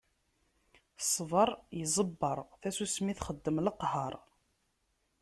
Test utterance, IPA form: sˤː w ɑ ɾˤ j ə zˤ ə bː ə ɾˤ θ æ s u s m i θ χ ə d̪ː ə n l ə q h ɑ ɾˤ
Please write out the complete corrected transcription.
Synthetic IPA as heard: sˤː v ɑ ɾˤ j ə zˤ ə bː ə ɾˤ θ æ s u s m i θ χ ə d̪ː ə m l ə q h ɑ ɾˤ